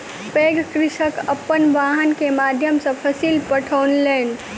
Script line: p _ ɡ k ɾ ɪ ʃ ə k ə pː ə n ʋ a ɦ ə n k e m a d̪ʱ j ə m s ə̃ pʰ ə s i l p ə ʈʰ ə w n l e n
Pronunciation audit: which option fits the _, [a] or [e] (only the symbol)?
e